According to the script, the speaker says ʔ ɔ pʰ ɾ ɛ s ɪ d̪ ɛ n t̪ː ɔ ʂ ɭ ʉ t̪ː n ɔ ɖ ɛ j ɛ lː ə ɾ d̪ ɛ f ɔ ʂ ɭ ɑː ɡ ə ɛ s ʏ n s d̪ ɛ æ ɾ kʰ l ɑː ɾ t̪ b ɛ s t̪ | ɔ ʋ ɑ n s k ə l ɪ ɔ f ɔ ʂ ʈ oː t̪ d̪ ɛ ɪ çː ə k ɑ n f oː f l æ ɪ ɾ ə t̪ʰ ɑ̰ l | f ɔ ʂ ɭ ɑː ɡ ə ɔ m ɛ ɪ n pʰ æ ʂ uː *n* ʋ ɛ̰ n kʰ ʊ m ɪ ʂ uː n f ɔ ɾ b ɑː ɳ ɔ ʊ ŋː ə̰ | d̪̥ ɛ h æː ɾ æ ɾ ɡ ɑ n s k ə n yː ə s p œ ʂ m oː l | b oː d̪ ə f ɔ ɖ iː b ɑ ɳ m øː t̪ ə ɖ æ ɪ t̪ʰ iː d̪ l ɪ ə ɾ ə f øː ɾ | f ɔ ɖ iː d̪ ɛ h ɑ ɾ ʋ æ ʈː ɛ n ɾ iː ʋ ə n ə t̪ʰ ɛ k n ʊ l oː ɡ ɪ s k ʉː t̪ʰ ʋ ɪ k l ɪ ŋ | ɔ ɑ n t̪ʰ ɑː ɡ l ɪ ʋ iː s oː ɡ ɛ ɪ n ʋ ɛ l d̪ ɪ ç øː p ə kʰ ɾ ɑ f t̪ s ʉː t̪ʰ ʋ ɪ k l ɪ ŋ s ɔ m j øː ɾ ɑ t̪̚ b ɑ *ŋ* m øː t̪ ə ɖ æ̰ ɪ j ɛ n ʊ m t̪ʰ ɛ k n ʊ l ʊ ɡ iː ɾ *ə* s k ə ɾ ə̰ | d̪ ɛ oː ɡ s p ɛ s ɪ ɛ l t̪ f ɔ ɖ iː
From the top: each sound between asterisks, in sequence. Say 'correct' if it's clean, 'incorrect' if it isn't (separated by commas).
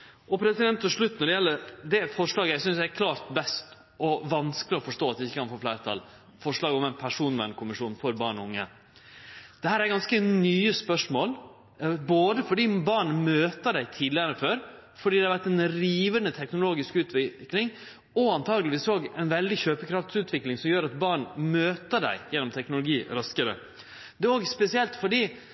correct, incorrect, incorrect